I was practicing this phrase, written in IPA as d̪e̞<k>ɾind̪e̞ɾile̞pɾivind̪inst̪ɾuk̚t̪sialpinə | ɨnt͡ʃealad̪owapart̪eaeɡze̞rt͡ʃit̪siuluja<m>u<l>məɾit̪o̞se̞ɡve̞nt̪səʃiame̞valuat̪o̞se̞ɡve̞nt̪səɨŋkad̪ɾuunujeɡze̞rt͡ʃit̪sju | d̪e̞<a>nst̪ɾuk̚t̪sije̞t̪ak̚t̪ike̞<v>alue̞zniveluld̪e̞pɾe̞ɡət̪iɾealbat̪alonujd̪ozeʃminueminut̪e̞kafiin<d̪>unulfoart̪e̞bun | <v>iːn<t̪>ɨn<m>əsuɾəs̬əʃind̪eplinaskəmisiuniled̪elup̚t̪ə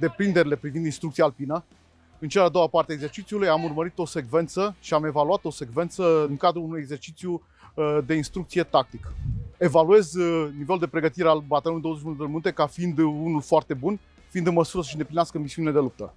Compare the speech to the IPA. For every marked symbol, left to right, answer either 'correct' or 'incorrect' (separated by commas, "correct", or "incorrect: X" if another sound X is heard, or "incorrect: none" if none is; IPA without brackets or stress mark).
incorrect: p, correct, incorrect: r, incorrect: i, correct, correct, incorrect: f, incorrect: d̪, correct